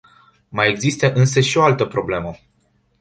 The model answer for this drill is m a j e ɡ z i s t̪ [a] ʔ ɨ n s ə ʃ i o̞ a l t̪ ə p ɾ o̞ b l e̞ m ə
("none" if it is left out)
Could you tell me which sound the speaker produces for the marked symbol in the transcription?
ə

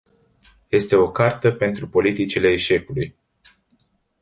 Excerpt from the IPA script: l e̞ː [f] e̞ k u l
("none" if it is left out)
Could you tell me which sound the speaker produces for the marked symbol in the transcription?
ʃ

